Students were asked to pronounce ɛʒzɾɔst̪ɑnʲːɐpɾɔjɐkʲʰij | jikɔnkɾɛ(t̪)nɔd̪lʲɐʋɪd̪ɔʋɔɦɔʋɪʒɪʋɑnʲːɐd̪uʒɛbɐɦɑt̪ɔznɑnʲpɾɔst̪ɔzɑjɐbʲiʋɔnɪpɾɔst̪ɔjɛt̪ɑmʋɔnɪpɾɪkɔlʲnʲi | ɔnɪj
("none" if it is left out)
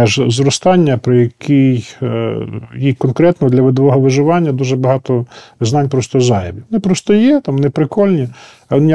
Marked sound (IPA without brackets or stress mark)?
t̪